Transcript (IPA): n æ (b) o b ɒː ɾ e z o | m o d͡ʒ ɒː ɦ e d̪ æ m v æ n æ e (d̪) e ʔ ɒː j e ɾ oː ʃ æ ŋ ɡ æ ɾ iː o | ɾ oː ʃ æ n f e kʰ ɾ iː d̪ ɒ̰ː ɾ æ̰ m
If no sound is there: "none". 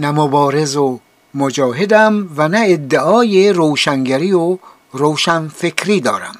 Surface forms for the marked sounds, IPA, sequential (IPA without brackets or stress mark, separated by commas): m, d̪ː